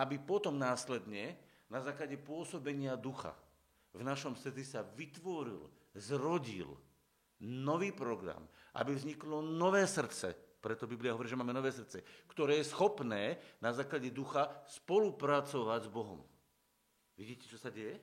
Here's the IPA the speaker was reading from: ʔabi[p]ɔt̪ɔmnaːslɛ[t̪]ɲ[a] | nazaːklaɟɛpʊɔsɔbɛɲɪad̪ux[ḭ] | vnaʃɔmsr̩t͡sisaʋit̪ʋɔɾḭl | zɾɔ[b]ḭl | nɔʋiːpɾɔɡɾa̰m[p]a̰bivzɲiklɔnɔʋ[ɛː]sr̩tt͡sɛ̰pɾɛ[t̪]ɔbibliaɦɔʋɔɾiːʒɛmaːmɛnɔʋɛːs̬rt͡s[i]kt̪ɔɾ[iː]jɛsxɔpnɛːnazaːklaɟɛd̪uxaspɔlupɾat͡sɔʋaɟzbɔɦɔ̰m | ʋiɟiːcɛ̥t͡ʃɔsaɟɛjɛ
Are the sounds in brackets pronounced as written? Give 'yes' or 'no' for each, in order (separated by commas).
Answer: yes, no, no, no, no, no, yes, yes, no, no